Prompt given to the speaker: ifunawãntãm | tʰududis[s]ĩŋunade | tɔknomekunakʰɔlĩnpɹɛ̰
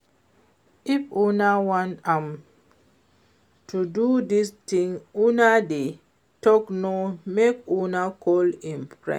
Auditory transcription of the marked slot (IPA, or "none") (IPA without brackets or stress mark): t